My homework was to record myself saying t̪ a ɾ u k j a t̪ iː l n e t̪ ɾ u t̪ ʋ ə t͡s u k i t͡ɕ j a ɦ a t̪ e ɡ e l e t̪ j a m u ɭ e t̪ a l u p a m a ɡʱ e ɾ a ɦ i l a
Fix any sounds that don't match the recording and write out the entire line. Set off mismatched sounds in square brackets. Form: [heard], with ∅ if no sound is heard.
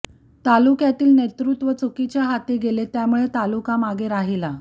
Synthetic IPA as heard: t̪ a [l] u k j a t̪ iː l n e t̪ ɾ u t̪ ʋ ə t͡s u k i t͡ɕ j a ɦ a t̪ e ɡ e l e t̪ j a m u ɭ e t̪ a l u [k] a m a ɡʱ e ɾ a ɦ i l a